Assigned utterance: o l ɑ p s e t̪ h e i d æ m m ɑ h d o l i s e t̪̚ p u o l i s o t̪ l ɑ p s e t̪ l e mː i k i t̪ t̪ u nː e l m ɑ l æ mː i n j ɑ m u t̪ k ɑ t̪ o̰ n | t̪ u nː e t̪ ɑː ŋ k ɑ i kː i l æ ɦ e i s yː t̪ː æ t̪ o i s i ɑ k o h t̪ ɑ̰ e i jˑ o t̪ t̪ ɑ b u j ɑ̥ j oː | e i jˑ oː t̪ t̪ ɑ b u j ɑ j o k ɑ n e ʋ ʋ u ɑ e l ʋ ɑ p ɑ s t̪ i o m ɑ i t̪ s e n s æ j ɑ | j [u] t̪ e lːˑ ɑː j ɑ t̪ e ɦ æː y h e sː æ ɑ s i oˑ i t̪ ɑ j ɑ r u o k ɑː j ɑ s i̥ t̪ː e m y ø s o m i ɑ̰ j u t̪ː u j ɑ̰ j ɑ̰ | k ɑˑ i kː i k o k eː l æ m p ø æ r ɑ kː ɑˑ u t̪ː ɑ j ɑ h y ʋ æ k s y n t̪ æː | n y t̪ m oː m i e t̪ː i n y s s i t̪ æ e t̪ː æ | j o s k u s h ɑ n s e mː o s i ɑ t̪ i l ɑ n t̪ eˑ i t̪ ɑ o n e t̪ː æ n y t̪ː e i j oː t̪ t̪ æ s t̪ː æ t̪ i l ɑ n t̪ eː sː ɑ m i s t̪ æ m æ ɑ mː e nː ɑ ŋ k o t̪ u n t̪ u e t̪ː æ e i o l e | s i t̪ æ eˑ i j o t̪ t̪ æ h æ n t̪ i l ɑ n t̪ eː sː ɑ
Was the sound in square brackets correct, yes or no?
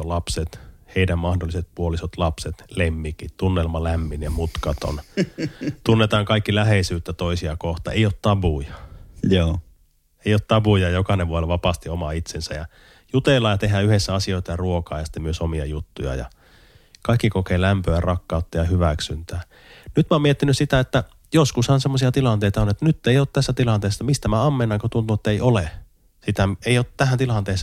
yes